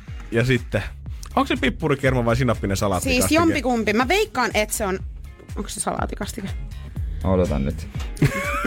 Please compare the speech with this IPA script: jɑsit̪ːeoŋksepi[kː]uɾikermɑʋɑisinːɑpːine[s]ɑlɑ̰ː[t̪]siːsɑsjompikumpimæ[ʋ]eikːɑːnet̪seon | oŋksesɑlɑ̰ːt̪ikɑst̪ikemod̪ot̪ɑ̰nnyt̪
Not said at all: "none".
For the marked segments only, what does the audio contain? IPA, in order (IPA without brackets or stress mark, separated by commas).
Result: pː, s, t̪, ʋ